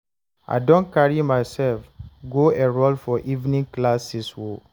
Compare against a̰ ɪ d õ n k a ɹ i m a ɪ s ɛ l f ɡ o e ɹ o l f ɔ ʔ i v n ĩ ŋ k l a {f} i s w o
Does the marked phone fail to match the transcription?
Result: yes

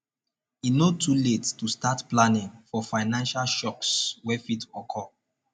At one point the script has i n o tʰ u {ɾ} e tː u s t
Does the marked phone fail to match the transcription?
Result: yes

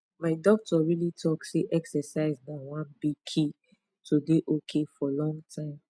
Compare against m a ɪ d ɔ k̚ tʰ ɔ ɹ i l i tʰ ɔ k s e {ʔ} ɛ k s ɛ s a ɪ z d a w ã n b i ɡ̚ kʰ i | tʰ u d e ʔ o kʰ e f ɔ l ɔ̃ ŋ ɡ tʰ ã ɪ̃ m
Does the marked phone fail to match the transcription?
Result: no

